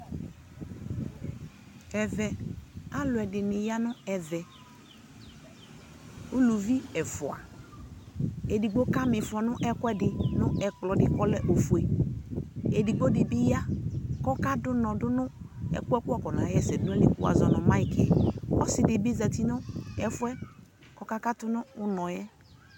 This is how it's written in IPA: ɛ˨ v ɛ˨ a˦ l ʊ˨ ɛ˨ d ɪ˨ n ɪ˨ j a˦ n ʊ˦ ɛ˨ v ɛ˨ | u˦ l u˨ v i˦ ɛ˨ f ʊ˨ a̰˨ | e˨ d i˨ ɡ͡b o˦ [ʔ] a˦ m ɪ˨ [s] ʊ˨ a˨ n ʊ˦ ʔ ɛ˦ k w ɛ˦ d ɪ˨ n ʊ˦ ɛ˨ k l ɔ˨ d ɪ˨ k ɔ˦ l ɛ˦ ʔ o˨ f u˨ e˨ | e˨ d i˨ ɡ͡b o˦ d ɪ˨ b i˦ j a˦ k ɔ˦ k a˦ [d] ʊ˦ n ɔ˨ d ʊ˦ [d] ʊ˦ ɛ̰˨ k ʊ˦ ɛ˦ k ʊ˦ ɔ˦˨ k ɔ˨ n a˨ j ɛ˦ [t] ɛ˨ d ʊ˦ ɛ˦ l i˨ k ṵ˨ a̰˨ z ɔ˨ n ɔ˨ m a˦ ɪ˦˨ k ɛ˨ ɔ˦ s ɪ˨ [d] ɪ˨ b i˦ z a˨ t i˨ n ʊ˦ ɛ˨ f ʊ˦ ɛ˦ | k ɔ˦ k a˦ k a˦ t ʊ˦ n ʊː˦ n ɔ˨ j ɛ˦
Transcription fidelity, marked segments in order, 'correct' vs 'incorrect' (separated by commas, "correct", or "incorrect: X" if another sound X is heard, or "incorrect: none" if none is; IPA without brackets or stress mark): incorrect: k, incorrect: f, correct, incorrect: n, incorrect: s, correct